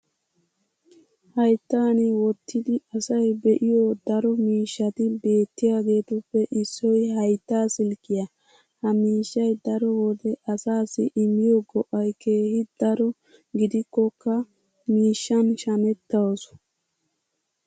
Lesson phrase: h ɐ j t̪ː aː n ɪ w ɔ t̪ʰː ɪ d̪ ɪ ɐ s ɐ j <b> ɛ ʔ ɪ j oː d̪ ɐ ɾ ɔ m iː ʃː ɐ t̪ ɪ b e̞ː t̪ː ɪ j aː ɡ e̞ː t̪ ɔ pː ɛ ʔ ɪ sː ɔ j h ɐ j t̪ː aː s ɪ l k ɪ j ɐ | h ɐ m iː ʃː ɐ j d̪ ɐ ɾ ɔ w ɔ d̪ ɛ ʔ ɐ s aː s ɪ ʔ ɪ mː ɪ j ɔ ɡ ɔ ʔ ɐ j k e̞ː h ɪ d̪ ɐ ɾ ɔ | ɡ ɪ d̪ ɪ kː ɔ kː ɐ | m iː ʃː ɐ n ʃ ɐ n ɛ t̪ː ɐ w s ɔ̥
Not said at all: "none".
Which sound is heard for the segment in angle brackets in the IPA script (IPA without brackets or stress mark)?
b